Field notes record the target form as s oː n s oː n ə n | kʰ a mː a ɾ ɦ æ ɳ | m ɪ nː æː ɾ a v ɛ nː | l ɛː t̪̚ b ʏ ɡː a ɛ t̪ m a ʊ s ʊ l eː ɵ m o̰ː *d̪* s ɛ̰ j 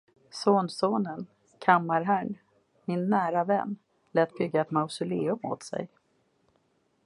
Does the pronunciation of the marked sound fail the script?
yes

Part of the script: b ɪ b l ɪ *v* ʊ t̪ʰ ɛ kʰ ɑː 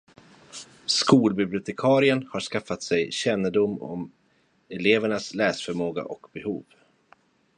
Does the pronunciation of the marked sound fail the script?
yes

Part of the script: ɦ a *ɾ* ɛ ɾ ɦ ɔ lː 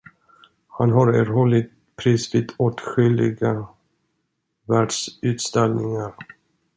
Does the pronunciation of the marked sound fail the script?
no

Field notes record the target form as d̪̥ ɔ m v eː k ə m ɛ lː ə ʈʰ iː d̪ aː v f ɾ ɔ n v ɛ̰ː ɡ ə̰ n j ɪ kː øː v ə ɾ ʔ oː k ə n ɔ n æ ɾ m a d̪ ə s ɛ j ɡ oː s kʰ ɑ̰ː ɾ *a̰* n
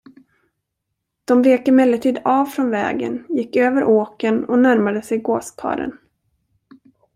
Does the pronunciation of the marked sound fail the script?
yes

